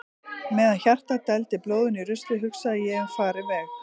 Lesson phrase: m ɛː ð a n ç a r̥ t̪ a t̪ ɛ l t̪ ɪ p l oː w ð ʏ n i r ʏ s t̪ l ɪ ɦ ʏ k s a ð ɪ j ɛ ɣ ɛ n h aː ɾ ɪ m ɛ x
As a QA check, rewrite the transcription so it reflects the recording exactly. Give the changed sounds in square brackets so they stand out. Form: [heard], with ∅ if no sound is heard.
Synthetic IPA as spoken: m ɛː ð a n ç a r̥ t̪ a t̪ ɛ l t̪ ɪ p l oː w ð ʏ n i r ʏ s t̪ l ɪ ɦ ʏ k s a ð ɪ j ɛ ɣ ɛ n [f] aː ɾ ɪ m ɛ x